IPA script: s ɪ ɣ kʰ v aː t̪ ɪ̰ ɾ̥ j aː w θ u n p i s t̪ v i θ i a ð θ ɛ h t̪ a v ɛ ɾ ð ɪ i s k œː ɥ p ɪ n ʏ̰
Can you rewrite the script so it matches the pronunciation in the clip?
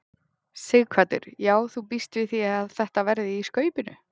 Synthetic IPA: s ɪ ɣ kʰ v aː t̪ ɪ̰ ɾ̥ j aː w θ u p i s t̪ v ɪ θ i a ð θ ɛ h t̪ a v ɛ ɾ ð ɪ i s k œː ɥ p ɪ n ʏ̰